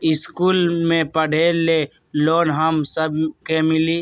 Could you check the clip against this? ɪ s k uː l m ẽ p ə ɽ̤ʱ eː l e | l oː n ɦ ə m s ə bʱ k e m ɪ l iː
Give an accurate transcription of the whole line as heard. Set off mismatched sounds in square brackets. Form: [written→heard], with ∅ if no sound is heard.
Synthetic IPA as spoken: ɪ s k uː l m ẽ p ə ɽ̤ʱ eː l e | l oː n ɦ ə m s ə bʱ k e m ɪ l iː